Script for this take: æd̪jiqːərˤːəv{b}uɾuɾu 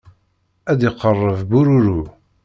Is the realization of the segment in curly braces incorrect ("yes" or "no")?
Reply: no